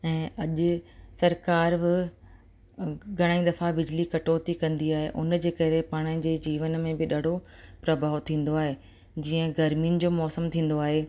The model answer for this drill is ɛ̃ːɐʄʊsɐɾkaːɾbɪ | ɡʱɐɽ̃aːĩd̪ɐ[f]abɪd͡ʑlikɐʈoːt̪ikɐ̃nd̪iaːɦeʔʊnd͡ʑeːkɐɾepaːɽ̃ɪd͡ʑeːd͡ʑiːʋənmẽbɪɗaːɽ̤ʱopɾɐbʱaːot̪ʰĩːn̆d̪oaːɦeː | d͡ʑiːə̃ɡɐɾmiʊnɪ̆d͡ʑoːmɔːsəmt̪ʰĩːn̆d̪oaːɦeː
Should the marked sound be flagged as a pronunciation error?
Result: no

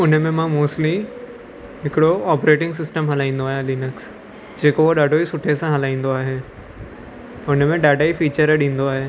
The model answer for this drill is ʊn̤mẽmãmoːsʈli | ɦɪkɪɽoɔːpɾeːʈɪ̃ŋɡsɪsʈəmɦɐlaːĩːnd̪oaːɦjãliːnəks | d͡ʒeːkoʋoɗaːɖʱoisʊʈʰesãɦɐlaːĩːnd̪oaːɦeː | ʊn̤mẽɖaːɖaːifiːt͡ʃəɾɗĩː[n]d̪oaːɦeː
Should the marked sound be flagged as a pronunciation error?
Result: no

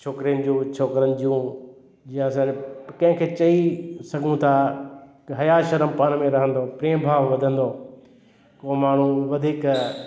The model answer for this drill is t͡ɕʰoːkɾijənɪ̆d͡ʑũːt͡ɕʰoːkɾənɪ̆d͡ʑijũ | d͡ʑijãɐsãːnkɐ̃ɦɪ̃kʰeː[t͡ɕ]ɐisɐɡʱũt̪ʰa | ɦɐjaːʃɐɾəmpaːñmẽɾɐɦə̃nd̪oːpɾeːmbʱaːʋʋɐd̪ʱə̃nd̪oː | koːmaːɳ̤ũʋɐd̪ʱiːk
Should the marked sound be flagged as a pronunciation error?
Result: no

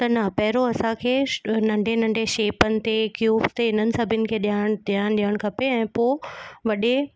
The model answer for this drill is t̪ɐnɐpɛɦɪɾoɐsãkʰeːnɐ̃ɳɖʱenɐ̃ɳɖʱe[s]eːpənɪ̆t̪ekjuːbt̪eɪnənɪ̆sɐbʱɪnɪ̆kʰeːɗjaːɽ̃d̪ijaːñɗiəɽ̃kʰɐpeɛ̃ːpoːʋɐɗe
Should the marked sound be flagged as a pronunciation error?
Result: yes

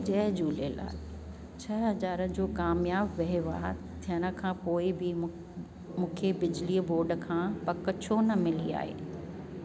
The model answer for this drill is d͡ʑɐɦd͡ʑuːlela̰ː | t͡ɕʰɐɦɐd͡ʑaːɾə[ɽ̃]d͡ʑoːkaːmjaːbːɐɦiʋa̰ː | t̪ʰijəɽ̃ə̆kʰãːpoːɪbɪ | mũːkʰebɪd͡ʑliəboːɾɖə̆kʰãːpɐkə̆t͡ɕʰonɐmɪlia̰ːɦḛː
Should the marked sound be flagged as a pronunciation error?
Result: yes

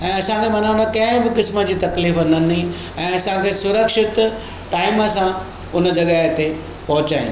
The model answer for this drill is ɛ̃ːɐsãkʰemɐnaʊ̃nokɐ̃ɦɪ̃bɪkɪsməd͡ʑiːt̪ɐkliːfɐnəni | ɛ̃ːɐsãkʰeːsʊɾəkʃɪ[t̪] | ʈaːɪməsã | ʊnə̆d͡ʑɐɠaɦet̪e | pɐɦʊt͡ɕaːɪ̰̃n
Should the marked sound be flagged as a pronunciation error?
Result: no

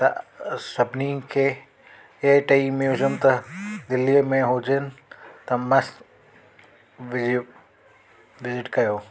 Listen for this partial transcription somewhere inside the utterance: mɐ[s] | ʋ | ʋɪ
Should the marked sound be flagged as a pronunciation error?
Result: no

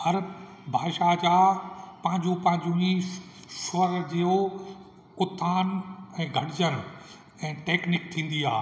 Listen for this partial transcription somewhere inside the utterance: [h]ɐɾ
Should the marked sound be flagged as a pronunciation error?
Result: no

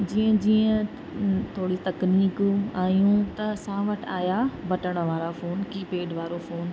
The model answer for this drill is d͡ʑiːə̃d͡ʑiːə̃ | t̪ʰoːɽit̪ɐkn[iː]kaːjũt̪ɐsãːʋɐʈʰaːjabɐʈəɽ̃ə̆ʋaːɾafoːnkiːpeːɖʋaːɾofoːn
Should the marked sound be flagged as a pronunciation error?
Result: no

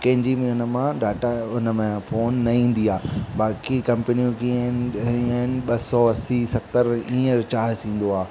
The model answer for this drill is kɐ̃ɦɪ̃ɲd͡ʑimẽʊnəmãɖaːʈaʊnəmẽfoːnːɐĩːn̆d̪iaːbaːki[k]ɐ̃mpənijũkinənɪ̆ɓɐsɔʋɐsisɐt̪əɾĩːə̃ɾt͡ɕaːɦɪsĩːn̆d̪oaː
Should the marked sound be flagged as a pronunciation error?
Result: no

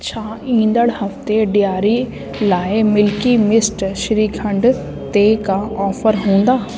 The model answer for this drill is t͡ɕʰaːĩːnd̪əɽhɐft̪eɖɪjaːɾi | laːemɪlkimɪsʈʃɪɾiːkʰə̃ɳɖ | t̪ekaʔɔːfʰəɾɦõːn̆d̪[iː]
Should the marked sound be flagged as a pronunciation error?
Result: yes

